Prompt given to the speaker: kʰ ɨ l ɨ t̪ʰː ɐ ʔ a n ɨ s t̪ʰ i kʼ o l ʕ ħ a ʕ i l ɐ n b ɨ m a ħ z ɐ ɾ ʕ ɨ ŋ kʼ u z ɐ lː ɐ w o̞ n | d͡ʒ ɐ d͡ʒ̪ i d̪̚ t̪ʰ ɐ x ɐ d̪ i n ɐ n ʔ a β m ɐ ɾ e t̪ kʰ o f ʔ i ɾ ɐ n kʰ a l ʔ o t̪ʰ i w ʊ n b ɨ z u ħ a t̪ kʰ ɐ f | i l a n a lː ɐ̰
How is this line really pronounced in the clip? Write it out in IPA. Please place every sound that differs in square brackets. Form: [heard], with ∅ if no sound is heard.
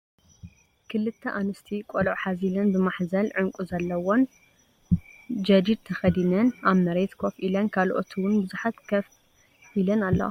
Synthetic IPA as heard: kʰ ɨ l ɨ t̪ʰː ɐ ʔ a n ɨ s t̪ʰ i kʼ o l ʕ ħ a [z] i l ɐ n b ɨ m a ħ z ɐ [l] ʕ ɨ ŋ kʼ u z ɐ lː ɐ w o̞ n | d͡ʒ ɐ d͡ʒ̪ i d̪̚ t̪ʰ ɐ x ɐ d̪ i n ɐ n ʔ a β m ɐ ɾ e t̪ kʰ o f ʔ i [l] ɐ n kʰ a l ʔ o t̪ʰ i w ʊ n b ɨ z u ħ a t̪ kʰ ɐ f | i l [ɐ] n a lː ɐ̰